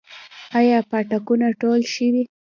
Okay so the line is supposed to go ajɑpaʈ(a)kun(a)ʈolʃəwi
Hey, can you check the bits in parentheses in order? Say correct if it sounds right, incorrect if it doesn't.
correct, correct

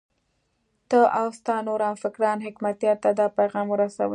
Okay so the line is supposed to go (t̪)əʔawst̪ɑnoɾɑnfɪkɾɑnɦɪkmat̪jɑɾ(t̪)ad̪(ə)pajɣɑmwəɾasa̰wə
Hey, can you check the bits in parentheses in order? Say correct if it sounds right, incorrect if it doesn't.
correct, correct, incorrect

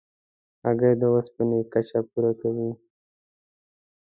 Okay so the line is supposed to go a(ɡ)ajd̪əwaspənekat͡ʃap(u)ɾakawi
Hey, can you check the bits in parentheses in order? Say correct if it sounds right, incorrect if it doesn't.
correct, correct

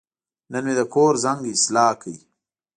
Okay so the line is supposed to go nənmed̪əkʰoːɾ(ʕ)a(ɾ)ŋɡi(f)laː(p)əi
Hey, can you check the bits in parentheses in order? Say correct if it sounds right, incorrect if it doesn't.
incorrect, incorrect, incorrect, incorrect

